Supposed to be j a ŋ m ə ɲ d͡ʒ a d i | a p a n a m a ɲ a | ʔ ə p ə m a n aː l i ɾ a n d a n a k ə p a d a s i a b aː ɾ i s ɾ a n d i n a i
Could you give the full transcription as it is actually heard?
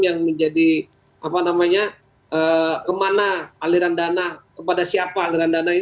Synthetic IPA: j a ŋ m ə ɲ d͡ʒ a d i | a p a n a m a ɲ a | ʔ ə k ə m a n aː l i ɾ a n d a n a k ə p a d a s i a p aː l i ɾ a n d a n a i